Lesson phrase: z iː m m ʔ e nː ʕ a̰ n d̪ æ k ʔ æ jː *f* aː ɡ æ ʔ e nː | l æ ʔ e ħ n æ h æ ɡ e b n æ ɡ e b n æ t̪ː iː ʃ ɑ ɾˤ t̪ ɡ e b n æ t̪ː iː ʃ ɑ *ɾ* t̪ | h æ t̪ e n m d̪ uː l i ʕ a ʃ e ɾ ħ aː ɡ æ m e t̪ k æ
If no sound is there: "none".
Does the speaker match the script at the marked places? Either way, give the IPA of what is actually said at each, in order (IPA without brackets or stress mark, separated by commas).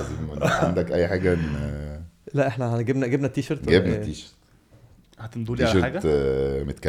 ħ, ɾ